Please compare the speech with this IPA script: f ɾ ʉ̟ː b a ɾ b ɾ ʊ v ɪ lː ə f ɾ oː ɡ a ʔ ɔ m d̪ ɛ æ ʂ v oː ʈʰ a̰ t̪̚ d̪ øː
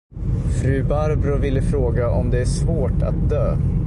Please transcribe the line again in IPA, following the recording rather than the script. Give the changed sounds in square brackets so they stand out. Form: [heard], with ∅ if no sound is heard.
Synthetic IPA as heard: f ɾ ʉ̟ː b a ɾ b ɾ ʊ v ɪ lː ə f ɾ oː ɡ a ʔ ɔ m d̪ ɛ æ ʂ v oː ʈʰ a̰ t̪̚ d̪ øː